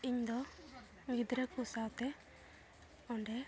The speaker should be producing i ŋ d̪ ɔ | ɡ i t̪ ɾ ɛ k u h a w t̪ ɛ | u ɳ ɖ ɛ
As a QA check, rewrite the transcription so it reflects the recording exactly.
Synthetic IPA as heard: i ɲ d̪ ɔ | ɡ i d̪ ɾ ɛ k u s a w t̪ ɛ | ɔ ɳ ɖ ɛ